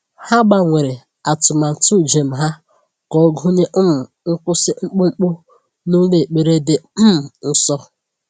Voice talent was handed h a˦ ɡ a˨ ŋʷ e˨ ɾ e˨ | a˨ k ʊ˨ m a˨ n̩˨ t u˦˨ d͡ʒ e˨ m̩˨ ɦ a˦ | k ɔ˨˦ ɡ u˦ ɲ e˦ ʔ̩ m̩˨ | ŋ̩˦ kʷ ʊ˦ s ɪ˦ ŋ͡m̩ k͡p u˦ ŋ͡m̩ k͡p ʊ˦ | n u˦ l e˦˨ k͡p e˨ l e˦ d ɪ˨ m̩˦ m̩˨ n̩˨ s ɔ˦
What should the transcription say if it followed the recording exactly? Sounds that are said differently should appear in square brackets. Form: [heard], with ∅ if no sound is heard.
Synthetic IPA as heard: h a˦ [ɡ͡b] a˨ ŋʷ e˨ ɾ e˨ | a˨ [t] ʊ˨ m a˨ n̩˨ t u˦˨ d͡ʒ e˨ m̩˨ ɦ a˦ | k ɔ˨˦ ɡ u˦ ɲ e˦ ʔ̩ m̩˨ | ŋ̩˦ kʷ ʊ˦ s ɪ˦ ŋ͡m̩ k͡p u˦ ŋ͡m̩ k͡p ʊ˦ | n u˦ l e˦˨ k͡p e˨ [ɾ] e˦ d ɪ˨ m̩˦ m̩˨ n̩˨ s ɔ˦